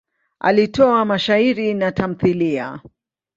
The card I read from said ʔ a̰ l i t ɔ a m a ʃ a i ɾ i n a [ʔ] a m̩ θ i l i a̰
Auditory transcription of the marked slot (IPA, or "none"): t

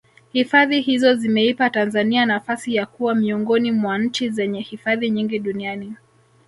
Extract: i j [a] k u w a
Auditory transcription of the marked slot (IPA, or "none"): a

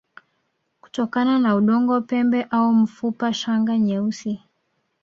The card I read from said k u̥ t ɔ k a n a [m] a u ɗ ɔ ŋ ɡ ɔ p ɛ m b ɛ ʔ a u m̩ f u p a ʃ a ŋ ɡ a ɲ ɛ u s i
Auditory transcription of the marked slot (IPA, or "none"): n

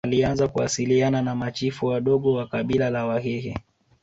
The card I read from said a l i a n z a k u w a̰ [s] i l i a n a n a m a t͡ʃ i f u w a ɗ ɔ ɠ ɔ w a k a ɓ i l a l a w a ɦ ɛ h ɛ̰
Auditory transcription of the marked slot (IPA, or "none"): s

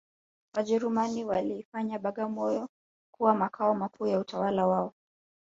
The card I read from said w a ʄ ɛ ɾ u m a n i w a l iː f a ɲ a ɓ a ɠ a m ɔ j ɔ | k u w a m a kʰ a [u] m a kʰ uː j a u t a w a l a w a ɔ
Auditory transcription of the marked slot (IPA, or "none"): ɔ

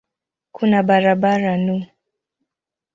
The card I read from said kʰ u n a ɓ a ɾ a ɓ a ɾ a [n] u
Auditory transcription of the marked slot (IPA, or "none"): n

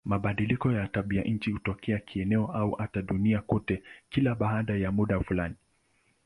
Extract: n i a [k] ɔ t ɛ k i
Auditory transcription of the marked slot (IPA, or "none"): k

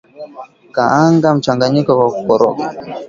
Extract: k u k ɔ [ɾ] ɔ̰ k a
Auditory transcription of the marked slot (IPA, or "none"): ɾ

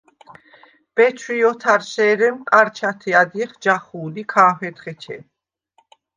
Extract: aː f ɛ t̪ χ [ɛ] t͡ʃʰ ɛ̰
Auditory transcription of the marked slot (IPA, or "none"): ɛ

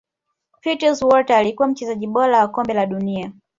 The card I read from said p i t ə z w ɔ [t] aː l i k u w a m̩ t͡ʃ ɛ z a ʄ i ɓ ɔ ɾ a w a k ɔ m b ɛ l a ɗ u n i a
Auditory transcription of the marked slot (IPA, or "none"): t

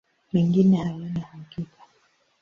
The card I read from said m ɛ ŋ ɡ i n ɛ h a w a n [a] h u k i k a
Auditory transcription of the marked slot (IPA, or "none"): a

